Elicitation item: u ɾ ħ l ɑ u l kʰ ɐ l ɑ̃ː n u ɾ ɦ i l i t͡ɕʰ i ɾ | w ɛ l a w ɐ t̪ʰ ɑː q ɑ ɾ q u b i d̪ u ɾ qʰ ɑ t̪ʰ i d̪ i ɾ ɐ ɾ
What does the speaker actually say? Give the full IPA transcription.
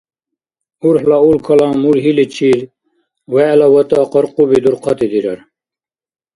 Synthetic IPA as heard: u ɾ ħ l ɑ u l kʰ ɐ l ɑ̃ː m u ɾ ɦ i l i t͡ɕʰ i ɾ | w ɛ l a w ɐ t̪ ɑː q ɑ ɾ q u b i d̪ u ɾ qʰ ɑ t̪ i d̪ i ɾ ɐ ɾ